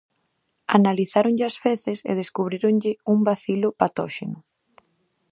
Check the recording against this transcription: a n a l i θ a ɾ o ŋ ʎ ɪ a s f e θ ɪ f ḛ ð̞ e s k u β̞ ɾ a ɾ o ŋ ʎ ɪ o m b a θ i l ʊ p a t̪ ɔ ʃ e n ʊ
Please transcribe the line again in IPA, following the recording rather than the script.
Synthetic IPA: a n a l i θ a ɾ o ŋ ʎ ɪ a s f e θ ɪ s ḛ ð̞ e s k u β̞ ɾ i ɾ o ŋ ʎ ɪ u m b a θ i l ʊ p a t̪ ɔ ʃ e n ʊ